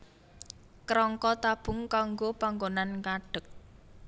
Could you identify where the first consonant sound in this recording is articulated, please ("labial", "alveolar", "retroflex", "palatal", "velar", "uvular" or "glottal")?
velar